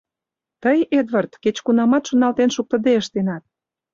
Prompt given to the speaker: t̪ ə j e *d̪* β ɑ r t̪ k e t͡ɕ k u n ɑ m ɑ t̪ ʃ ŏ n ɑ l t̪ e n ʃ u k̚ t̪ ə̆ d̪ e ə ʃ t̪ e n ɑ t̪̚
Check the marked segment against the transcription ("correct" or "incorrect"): correct